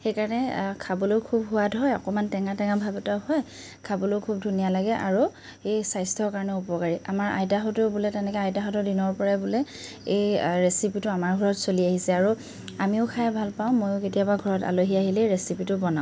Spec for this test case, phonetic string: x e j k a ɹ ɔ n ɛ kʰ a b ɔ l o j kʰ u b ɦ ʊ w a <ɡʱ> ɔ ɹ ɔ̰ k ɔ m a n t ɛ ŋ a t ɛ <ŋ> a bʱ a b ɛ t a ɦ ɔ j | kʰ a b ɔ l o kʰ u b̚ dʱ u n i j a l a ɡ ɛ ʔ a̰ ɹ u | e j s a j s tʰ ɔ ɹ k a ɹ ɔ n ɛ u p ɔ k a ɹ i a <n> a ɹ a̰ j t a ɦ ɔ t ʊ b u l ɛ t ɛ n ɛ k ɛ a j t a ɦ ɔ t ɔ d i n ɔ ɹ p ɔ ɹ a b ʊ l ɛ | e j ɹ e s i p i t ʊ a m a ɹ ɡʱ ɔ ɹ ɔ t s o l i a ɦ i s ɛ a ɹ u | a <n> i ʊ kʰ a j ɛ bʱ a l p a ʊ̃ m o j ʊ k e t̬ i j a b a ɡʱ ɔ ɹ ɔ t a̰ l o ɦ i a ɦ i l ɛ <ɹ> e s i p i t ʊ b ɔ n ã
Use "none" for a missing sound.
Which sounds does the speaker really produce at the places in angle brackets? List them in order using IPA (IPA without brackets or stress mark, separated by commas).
dʱ, ŋ, m, m, ɹ